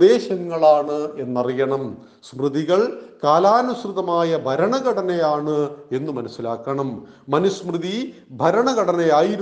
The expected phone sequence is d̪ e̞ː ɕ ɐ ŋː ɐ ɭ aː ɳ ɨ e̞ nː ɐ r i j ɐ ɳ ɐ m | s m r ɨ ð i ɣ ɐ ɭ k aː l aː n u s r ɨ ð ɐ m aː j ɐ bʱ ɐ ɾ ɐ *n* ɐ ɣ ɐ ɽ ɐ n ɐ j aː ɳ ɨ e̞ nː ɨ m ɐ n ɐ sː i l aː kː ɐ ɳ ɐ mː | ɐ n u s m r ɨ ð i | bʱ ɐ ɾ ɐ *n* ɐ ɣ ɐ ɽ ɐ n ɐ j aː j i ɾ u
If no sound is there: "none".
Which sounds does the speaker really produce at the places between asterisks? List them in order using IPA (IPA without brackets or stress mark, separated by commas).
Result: ɳ, ɳ